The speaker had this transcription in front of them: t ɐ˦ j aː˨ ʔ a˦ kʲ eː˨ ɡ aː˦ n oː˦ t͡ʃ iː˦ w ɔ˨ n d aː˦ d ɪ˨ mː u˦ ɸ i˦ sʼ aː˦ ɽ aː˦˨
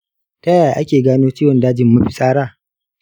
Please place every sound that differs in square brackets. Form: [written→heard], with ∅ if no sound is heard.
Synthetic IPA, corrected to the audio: t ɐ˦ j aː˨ ʔ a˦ kʲ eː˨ ɡ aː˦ n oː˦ t͡ʃ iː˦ w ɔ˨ n d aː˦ [d→d͡ʒ] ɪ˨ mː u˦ ɸ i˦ sʼ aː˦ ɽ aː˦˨